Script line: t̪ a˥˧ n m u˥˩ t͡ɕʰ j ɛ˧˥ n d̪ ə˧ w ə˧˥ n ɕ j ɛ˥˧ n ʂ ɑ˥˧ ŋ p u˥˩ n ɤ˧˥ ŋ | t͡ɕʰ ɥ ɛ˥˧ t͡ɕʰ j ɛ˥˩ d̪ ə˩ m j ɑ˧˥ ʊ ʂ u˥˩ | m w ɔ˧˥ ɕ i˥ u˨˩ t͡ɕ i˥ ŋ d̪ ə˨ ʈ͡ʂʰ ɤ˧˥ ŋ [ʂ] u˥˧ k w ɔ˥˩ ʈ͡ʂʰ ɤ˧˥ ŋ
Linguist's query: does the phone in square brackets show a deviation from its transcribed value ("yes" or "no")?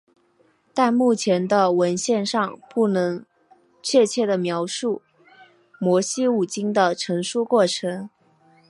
no